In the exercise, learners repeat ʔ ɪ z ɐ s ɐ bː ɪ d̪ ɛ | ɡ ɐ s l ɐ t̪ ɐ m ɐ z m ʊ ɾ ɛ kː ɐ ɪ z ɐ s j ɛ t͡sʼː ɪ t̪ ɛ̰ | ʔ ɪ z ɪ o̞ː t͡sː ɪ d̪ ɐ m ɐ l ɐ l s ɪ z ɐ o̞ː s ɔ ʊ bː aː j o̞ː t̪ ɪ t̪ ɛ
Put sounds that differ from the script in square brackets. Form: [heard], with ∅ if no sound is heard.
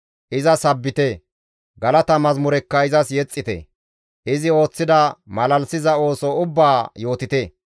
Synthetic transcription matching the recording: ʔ ɪ z ɐ s ɐ bː ɪ [t̪] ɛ | ɡ ɐ [∅] l ɐ t̪ ɐ m ɐ z m ʊ ɾ ɛ kː ɐ ɪ z ɐ s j ɛ t͡sʼː ɪ t̪ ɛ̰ | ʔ ɪ z ɪ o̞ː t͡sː ɪ d̪ ɐ m ɐ l ɐ l s ɪ z ɐ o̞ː s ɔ ʊ bː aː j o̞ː t̪ ɪ t̪ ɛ